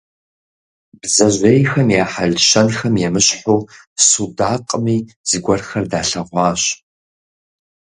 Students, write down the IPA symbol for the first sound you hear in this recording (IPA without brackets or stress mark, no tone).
b